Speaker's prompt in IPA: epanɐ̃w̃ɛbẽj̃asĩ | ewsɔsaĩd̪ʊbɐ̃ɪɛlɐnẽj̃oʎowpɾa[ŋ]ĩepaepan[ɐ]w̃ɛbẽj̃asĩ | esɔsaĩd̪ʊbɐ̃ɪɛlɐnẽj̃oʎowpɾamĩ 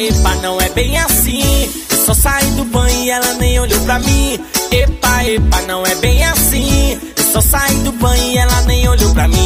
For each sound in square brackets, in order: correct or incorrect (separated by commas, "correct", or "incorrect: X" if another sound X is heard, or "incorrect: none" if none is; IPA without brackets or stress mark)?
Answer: incorrect: m, incorrect: ɐ̃